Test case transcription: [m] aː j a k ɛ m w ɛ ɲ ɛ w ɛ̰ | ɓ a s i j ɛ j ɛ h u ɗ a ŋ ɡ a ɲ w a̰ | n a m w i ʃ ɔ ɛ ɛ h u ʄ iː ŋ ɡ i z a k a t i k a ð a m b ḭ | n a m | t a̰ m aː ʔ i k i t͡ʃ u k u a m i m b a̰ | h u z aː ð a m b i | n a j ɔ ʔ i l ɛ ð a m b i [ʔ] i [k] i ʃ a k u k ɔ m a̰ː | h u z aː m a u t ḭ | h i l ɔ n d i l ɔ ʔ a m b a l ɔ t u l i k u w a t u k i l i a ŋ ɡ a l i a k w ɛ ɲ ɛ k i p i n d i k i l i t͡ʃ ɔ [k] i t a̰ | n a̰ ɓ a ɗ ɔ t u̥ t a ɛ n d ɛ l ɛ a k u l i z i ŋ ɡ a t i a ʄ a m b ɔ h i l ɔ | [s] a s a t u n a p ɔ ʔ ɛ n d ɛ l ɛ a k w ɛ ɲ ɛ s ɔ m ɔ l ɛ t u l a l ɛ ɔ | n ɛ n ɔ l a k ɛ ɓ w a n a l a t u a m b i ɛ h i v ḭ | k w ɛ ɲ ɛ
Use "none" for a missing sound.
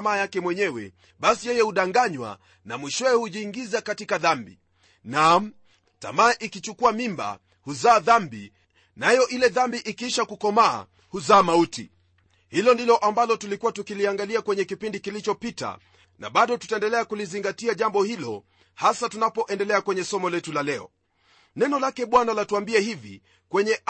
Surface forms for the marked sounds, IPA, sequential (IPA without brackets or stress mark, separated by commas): m, ʔ, k, p, h